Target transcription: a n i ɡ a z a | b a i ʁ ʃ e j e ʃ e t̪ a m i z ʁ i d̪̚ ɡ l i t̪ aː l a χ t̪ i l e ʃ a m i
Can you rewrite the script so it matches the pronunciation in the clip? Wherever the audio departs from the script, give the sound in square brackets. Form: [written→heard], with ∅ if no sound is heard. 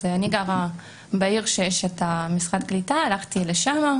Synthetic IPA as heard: a n i ɡ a [z→ʁ] a | b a i ʁ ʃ e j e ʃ e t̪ a m i [z→s] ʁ [i→a] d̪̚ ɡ l i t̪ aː l a χ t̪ i l e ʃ a m [i→a]